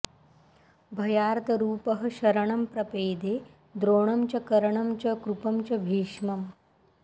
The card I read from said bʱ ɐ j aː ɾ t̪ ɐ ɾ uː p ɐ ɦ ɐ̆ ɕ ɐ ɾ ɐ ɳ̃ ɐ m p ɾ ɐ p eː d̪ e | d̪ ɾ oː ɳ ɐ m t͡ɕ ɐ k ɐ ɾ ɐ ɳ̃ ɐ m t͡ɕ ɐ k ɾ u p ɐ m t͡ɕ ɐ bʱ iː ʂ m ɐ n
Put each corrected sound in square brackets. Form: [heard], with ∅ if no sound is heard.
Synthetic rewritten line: bʱ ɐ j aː ɾ t̪ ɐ ɾ uː p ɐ ɦ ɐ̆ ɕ ɐ ɾ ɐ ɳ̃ ɐ m p ɾ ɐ p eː d̪ e | d̪ ɾ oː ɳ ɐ m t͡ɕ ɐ k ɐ ɾ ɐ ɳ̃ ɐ m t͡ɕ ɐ k ɾ u p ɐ m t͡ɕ ɐ bʱ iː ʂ m ɐ [m]